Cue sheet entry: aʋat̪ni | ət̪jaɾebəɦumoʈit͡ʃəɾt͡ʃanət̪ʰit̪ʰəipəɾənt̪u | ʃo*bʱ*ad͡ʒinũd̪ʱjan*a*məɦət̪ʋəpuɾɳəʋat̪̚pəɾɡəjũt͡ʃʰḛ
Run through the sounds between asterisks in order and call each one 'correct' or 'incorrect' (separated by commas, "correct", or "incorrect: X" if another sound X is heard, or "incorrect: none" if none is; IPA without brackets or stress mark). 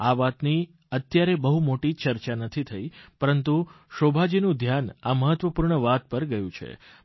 correct, correct